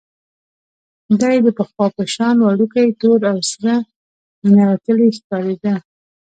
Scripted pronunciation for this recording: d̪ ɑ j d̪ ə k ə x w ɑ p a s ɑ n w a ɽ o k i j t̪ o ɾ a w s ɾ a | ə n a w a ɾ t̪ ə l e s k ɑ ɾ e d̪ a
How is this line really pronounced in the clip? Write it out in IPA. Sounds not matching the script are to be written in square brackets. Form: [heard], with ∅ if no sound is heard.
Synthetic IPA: d̪ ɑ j d̪ ə [p] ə x w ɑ p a [ʃ] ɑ n w a ɽ [u] k [a] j t̪ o ɾ a w s ɾ a | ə n a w a [∅] t̪ ə l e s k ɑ ɾ e d̪ a